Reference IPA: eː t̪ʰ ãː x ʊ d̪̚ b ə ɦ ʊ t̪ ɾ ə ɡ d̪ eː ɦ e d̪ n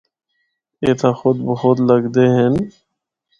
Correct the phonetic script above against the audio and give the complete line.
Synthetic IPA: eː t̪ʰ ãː x ʊ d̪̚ b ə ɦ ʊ t̪ l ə ɡ d̪ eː ɦ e n